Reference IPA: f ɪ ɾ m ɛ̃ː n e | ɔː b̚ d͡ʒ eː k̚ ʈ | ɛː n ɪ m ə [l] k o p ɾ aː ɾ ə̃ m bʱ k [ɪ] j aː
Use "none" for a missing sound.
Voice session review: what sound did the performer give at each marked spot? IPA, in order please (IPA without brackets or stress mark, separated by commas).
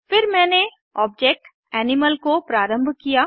l, i